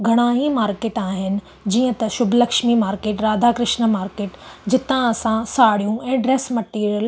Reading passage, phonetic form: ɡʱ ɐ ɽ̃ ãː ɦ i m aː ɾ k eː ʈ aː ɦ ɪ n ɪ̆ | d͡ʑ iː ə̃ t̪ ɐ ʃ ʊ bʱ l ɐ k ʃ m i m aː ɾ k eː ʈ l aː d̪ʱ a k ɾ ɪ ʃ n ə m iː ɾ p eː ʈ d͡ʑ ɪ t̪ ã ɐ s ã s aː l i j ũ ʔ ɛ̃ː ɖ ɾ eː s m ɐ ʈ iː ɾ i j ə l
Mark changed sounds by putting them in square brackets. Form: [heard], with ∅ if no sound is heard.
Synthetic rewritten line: ɡʱ ɐ ɽ̃ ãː ɦ i m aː ɾ k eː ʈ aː ɦ ɪ n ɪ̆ | d͡ʑ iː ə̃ t̪ ɐ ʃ ʊ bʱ l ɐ k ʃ m i m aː ɾ k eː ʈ [ɾ] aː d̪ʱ a k ɾ ɪ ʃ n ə m [aː] ɾ [k] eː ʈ d͡ʑ ɪ t̪ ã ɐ s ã s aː [ɽ] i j ũ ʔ ɛ̃ː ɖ ɾ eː s m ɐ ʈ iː ɾ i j ə l